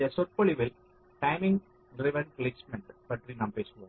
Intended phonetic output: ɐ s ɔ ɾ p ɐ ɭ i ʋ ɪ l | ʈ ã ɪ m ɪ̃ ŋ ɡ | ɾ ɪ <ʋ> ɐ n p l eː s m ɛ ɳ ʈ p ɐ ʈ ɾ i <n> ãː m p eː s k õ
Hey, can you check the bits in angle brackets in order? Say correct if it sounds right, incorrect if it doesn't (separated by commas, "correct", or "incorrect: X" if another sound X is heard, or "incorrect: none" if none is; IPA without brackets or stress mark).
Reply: correct, correct